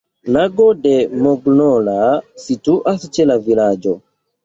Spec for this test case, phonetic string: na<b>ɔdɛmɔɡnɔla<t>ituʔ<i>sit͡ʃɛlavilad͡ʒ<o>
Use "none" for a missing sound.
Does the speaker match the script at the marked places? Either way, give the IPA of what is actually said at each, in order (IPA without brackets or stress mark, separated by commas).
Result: ɡ, s, a, ɔ